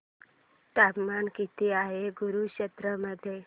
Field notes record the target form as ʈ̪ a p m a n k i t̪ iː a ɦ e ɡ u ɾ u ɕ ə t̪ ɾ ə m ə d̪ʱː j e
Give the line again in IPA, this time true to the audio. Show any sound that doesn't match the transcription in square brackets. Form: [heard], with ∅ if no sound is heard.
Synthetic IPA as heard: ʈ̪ a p m a n k i t̪ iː a ɦ e ɡ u ɾ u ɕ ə t̪ ɾ ə m ə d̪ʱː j e